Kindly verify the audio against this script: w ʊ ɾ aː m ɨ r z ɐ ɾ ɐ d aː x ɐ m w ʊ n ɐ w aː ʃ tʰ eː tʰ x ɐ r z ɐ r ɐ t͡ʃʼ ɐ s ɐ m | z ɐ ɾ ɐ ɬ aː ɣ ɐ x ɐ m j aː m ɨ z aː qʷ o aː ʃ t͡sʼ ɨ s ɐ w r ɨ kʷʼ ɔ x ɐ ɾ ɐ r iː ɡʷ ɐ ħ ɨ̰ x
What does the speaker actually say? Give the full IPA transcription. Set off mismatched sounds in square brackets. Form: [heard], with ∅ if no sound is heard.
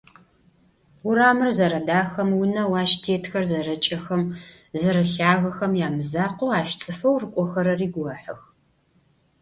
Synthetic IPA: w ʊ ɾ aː m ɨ r z ɐ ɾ ɐ d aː x ɐ m w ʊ n ɐ w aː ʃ tʰ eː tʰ x ɐ r z ɐ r ɐ t͡ʃʼ ɐ [x] ɐ m | z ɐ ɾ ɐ ɬ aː ɣ ɐ x ɐ m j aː m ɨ z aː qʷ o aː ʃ t͡sʼ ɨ [f] ɐ w r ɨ kʷʼ ɔ x ɐ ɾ ɐ r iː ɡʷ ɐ ħ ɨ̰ x